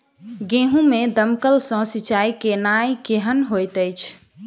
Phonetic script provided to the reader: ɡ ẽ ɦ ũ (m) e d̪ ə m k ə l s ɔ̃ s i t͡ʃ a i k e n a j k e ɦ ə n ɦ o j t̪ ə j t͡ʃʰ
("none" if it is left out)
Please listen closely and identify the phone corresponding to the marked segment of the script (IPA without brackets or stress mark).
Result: m